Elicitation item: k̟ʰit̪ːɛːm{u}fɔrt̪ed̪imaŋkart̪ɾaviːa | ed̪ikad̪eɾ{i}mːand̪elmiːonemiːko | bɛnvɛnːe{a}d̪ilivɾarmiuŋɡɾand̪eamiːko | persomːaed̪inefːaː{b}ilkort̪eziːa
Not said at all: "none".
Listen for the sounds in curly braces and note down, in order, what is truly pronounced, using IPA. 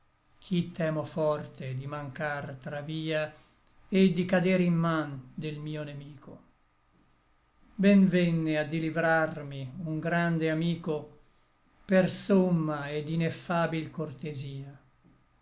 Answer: o, i, a, b

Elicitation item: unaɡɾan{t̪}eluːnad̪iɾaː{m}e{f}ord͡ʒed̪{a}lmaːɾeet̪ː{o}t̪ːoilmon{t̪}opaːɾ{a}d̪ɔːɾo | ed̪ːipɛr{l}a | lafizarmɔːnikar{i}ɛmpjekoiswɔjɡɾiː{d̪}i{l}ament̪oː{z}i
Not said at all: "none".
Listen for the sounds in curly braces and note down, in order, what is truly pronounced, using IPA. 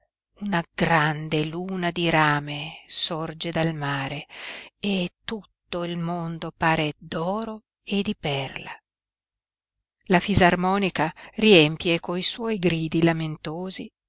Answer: d̪, m, s, a, u, d̪, e, l, i, d̪, l, z

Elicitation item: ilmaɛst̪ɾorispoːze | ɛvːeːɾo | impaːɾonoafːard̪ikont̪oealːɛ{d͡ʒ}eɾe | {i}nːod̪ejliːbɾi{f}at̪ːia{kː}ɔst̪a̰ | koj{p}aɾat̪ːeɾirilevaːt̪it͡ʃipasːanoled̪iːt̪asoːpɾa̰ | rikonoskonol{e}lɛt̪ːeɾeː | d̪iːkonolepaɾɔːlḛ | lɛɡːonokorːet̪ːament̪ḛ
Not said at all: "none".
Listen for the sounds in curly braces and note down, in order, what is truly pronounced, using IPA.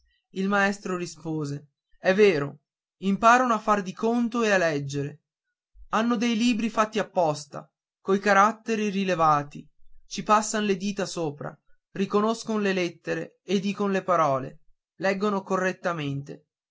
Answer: d͡ʒː, a, f, pː, k, e

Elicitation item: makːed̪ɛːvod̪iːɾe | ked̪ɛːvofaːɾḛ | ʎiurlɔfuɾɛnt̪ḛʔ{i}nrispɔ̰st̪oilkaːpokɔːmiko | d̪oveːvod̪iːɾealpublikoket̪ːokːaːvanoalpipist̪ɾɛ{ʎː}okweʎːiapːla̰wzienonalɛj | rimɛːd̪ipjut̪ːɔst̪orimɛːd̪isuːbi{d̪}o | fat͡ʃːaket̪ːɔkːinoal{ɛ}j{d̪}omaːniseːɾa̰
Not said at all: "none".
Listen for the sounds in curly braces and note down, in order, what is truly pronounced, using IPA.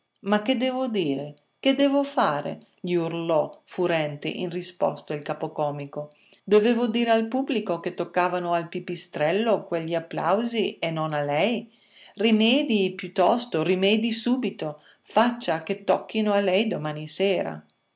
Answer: i, lː, t̪, ɛ, d̪

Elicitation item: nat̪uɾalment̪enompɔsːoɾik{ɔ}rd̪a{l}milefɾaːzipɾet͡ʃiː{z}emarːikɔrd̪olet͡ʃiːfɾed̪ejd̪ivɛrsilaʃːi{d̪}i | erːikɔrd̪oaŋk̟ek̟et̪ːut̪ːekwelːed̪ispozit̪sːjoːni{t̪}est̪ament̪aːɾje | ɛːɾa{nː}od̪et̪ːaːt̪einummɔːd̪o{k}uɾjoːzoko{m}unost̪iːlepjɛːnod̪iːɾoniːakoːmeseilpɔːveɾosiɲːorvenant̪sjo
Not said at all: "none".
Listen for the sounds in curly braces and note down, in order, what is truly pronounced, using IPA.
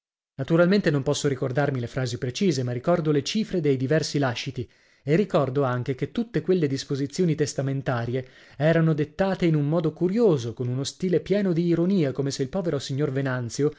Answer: o, r, z, t̪, t̪, n, k, n

